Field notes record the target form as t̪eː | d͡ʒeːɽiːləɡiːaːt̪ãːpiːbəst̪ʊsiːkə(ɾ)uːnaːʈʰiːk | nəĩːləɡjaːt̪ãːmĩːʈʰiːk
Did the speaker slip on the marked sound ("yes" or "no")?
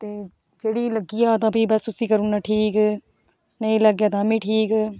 no